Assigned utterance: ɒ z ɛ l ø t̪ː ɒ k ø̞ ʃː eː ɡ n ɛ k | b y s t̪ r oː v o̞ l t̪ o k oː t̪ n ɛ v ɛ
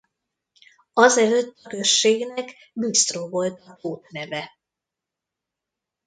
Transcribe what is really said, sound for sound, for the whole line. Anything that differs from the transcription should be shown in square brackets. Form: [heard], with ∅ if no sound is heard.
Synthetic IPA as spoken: ɒ z ɛ l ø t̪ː ɒ k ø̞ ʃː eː ɡ n ɛ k | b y s t̪ r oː v o̞ l t̪ [ɒ] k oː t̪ n ɛ v ɛ